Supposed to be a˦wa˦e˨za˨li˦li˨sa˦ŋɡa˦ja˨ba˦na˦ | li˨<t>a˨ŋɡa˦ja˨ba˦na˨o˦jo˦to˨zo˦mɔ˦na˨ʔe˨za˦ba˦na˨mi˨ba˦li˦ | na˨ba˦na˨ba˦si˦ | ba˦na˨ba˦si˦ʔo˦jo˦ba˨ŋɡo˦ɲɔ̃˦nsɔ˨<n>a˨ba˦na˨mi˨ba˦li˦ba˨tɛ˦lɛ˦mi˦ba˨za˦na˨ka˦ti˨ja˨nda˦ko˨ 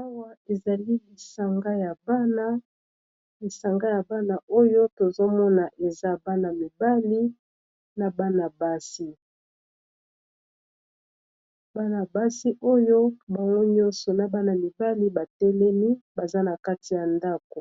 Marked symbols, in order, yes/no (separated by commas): no, yes